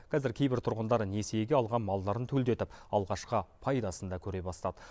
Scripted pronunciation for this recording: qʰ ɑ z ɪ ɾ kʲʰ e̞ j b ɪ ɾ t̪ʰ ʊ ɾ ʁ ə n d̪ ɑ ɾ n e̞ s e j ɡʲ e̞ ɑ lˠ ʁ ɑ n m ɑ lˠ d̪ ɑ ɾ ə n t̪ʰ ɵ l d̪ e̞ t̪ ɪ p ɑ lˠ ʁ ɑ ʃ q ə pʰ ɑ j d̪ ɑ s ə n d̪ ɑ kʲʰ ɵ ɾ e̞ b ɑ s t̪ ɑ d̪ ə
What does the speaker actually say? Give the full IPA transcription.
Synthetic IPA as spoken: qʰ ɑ z ɪ ɾ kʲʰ e̞ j b ɪ ɾ t̪ʰ ʊ ɾ ʁ ə n d̪ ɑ ɾ n e̞ s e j ɡʲ e̞ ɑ lˠ ʁ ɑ n m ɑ lˠ d̪ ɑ ɾ ə n t̪ʰ ɵ l d̪ e̞ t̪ ɪ p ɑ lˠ ʁ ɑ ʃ q ə pʰ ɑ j d̪ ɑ s ə n d̪ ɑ kʲʰ ɵ ɾ e̞ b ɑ s t̪ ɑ d̪ ə